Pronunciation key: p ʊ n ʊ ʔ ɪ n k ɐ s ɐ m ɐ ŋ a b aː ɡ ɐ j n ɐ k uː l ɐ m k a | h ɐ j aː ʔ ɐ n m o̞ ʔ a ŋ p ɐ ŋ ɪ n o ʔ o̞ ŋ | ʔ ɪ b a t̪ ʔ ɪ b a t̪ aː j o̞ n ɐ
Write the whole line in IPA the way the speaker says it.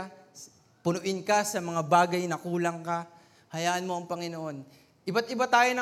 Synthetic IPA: p ʊ n ʊ ʔ ɪ n k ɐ s ɐ m ɐ ŋ a b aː ɡ ɐ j n ɐ k uː l ɐ ŋ k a | h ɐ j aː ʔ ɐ n m o̞ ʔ ɐ ŋ p ɐ ŋ ɪ n o ʔ o̞ n | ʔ ɪ b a t̪ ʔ ɪ b a t̪ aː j o̞ n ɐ